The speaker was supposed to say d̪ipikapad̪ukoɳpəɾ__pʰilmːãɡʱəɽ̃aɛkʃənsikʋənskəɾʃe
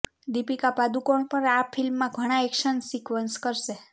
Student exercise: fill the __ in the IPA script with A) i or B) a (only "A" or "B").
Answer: B